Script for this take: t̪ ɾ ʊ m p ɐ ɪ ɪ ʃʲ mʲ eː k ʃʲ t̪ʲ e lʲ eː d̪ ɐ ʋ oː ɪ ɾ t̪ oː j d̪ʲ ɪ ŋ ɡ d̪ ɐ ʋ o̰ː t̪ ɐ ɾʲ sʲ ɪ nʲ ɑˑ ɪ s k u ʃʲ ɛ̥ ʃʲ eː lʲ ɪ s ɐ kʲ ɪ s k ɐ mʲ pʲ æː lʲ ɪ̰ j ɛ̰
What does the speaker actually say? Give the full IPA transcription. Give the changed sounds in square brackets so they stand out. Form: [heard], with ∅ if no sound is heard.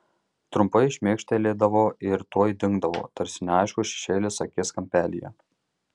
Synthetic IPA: t̪ ɾ ʊ m p ɐ ɪ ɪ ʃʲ mʲ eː k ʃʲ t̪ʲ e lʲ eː d̪ ɐ ʋ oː ɪ ɾ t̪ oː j d̪ʲ ɪ ŋ ɡ d̪ ɐ ʋ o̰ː t̪ ɐ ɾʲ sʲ ɪ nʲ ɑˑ ɪ [ʃ] k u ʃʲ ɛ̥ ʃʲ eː lʲ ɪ s ɐ kʲ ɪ s k ɐ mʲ pʲ æː lʲ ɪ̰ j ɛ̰